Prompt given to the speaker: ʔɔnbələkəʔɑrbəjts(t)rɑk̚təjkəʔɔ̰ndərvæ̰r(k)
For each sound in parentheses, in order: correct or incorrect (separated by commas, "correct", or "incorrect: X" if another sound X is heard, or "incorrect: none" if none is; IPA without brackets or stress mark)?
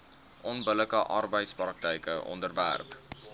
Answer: incorrect: p, incorrect: p